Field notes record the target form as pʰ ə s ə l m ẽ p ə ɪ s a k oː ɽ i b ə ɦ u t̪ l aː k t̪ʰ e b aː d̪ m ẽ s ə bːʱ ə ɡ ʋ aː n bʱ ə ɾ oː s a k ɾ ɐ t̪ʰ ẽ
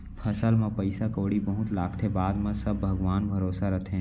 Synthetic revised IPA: pʰ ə s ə l m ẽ p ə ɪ s a k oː ɽ i b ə ɦ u t̪ l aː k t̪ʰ e b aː d̪ m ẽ s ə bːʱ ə ɡ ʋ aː n bʱ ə ɾ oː s a ɾ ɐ t̪ʰ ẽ